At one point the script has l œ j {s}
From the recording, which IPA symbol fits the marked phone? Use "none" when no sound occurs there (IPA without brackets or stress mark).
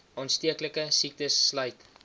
t